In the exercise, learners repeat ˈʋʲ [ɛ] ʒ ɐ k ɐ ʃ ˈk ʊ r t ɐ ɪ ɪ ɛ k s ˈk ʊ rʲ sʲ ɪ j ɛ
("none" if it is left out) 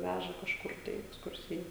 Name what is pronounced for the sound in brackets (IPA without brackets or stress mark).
æ